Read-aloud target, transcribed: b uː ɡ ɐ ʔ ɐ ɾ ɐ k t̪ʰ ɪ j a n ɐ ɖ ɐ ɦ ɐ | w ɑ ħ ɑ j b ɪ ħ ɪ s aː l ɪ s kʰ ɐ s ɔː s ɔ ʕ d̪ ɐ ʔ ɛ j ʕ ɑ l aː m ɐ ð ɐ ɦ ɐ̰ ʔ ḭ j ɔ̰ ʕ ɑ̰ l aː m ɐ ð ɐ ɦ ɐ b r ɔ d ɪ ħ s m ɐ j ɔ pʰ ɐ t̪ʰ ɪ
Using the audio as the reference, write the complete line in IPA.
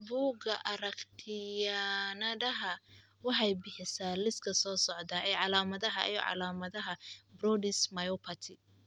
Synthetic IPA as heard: b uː ɡ ɐ ʔ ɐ ɾ ɐ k t̪ʰ ɪ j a n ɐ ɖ ɐ ɦ ɐ | w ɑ ħ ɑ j b ɪ ħ ɪ s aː l ɪ s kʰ ɐ s ɔː s ɔ ʕ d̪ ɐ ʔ ɛ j ʕ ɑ l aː m ɐ ð ɐ ɦ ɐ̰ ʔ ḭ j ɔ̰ ʕ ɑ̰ l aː m ɐ ð ɐ ɦ ɐ b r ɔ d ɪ s m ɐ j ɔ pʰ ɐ t̪ʰ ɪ